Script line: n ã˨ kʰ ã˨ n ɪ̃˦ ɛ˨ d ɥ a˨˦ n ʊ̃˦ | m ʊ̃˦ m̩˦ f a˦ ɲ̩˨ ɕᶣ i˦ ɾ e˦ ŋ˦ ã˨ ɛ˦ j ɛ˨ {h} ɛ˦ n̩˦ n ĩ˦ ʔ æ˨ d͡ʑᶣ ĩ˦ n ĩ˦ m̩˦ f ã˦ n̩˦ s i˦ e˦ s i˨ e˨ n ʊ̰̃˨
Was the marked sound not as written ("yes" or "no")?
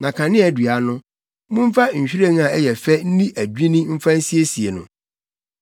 yes